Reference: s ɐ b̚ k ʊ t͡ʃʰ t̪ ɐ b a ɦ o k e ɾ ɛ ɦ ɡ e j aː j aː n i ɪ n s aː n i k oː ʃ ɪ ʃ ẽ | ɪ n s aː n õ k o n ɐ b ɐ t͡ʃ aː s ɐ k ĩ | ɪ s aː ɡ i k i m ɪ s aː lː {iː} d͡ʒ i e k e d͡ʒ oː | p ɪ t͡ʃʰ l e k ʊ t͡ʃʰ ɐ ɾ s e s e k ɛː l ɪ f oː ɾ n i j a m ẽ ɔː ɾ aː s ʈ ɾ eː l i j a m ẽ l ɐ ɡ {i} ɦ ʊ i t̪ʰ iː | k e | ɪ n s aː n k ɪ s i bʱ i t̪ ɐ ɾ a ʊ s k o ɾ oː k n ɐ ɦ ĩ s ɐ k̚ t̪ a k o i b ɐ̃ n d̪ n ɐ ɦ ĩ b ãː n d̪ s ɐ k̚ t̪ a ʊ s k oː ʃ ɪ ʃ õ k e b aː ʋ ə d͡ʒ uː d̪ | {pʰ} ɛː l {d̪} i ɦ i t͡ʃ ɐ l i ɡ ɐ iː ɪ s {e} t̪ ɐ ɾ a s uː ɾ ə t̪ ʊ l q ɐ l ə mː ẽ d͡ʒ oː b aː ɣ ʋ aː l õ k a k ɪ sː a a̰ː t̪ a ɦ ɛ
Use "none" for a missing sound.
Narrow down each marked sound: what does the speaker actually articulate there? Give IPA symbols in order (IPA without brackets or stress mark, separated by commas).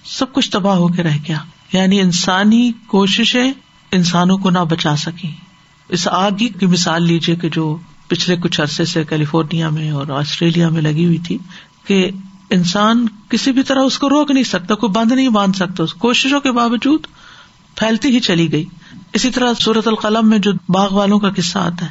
iː, i, pʰ, t̪, i